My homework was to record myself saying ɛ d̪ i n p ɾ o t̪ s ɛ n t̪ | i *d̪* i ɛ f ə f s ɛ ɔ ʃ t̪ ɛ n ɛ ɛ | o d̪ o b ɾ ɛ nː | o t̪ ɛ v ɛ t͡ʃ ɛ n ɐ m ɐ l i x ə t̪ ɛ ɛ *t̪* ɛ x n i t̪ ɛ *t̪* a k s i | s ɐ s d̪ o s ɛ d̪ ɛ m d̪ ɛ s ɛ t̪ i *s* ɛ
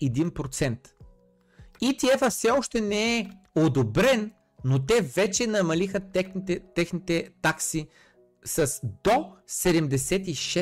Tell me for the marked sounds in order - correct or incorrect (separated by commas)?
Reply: incorrect, correct, correct, incorrect